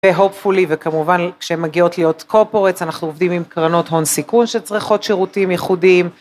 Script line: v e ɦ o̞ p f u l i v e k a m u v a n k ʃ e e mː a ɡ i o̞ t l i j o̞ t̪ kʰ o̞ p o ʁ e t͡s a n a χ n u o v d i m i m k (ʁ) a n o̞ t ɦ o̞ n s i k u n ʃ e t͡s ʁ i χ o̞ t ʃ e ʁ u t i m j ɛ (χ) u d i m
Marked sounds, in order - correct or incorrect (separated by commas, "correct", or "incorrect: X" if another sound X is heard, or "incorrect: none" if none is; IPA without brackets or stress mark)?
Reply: correct, correct